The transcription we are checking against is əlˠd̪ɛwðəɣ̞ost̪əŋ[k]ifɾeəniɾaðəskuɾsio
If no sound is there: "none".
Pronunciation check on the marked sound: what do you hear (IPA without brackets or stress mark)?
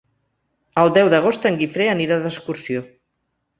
ɡ